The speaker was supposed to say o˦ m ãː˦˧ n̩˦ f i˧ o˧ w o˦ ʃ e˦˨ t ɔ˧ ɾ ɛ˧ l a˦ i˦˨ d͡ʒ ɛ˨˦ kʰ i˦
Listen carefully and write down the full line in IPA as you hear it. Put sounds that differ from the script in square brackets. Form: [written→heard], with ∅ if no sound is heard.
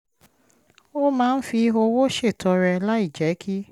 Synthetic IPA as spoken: o˦ m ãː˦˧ n̩˦ f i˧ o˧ w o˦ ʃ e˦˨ t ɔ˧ ɾ ɛ˧ l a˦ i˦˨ d͡ʒ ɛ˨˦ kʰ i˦